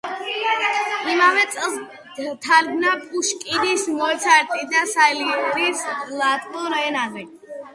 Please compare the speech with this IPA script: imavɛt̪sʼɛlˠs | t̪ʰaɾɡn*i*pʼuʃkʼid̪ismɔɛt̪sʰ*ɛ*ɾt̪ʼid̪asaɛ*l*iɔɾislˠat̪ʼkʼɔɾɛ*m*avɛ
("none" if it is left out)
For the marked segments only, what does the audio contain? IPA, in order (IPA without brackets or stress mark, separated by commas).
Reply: a, a, l, n